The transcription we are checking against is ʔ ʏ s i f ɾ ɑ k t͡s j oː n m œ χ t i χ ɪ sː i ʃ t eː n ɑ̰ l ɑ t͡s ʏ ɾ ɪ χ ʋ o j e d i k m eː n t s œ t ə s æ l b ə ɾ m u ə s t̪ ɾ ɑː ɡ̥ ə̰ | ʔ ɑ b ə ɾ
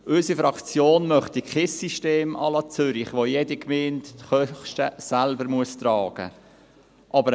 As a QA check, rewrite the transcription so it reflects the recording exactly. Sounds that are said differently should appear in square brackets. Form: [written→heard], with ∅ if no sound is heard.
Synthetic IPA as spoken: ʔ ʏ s i f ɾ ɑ k t͡s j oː n m œ χ t i χ ɪ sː i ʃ t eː [n→m] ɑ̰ l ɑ t͡s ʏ ɾ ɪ χ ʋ o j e d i k m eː n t [s→χ] œ t ə s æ l b ə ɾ m u ə s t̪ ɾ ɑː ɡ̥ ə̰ | ʔ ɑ b ə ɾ